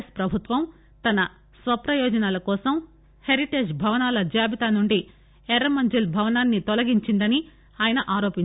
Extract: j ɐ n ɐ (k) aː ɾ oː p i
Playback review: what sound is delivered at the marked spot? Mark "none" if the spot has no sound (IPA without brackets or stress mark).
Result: ʔ